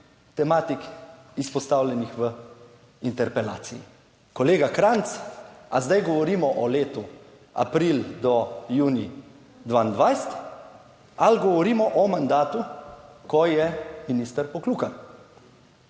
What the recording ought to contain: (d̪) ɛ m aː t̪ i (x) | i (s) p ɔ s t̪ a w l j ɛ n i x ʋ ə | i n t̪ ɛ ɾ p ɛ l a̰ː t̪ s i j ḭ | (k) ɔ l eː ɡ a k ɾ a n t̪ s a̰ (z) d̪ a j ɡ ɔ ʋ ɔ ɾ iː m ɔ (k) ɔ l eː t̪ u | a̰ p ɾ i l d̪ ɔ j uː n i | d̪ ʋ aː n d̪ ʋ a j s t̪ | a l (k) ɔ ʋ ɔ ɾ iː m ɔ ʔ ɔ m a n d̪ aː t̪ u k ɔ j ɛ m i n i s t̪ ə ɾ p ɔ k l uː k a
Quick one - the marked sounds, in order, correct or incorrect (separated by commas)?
incorrect, incorrect, correct, correct, correct, incorrect, incorrect